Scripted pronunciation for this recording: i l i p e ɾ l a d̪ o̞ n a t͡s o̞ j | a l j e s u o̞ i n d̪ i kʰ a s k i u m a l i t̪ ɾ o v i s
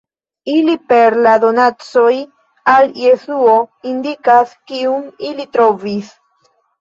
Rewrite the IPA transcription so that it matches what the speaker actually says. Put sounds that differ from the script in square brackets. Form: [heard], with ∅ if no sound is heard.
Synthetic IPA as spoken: i l i p e ɾ l a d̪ o̞ n a t͡s o̞ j | a l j e s u o̞ i n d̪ i [k] a s k i u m [i] l i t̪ ɾ o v i s